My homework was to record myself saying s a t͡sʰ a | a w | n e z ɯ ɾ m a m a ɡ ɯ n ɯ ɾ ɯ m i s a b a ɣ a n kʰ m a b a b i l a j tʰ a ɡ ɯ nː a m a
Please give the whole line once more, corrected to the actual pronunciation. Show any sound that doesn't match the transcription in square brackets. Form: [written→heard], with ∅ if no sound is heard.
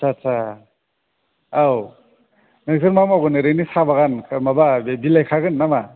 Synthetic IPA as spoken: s a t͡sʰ a | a w | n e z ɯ ɾ m a m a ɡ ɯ n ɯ ɾ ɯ [m→n] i s a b a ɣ a n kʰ m a b a b i l a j [tʰ→kʰ] a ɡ ɯ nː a m a

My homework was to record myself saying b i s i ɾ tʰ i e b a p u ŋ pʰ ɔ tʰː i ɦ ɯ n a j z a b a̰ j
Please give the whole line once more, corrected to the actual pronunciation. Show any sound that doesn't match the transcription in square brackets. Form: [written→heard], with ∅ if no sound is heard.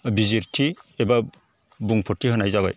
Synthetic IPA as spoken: b i [s→z] i ɾ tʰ i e b a [p→b] u ŋ pʰ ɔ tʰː i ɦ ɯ n a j z a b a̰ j

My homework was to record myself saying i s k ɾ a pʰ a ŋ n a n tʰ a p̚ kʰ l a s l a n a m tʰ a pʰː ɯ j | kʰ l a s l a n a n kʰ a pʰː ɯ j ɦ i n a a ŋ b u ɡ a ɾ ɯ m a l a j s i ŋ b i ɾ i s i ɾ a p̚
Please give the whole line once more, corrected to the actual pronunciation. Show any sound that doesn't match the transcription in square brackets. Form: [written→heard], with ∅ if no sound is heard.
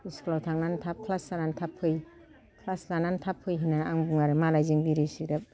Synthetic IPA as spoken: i s k [ɾ→l] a [pʰ→tʰ] a ŋ n a n tʰ a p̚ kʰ l a s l a n a [m→n] tʰ a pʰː ɯ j | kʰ l a s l a n a n [kʰ→tʰ] a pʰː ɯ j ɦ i n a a ŋ b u [ɡ→ŋ] a ɾ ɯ m a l a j [s→z] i ŋ b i ɾ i s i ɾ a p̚

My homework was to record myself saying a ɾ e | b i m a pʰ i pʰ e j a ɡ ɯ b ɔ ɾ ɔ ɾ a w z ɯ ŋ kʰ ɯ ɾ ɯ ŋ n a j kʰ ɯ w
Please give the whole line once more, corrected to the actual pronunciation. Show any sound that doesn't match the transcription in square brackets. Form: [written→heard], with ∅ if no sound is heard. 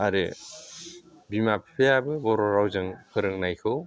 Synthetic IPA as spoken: a ɾ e | b i m a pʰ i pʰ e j a [ɡ→b] ɯ b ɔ ɾ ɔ ɾ a w z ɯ ŋ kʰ ɯ ɾ ɯ ŋ n a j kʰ ɯ w

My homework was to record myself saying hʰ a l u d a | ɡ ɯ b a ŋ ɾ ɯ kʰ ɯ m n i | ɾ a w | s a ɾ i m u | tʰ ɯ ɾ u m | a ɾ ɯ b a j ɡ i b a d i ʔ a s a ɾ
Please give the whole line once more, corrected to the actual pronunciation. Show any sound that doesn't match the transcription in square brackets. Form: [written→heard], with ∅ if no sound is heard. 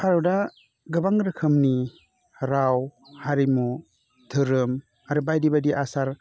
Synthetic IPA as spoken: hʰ a [l→ɾ] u d a | ɡ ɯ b a ŋ ɾ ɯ kʰ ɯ m n i | ɾ a w | [s→h] a ɾ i m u | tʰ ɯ ɾ [u→ɯ] m | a ɾ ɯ b a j [ɡ→d] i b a d i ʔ a s a ɾ

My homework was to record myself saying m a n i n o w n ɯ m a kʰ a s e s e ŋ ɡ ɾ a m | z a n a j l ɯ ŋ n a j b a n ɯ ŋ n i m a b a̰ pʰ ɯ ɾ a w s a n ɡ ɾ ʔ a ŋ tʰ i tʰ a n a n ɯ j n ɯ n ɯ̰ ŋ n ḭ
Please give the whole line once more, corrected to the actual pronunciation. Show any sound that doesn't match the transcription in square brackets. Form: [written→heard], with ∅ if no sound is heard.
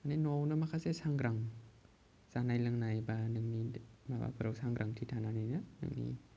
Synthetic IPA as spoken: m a n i n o w n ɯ m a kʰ a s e s [e→a] ŋ ɡ ɾ a [m→ŋ] | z a n a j l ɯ ŋ n a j b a n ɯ ŋ n i m a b a̰ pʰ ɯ ɾ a w s a [n→ŋ] ɡ ɾ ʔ a ŋ tʰ i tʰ a n a n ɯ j n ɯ n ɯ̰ ŋ n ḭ

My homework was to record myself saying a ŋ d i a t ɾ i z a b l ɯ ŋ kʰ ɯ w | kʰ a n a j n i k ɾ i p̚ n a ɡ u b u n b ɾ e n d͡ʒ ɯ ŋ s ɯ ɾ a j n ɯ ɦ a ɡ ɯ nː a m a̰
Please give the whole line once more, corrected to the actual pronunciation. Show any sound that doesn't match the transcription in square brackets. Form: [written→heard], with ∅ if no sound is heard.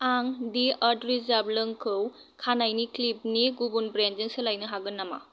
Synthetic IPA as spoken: a ŋ d i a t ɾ i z a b l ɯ ŋ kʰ ɯ w | kʰ a n a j n i k [ɾ→l] i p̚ n [a→i] ɡ u b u n b ɾ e n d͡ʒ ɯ ŋ s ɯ [ɾ→l] a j n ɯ ɦ a ɡ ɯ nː a m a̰

